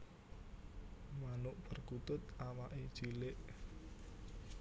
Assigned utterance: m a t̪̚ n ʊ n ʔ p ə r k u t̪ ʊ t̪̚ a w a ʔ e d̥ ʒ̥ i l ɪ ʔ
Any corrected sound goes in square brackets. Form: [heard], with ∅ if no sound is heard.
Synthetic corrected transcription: m a [∅] n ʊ [∅] ʔ p ə r k u t̪ ʊ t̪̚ a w a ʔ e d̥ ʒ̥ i l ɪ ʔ